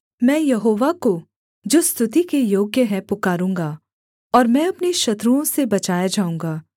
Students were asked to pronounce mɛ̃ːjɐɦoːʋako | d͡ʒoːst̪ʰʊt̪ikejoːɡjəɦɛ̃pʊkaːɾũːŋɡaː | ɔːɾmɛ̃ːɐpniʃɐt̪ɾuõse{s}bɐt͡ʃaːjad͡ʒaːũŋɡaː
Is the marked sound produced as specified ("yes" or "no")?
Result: no